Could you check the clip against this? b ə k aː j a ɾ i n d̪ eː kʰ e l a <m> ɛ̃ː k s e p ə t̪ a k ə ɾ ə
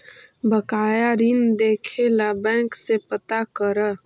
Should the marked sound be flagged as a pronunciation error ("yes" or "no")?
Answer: yes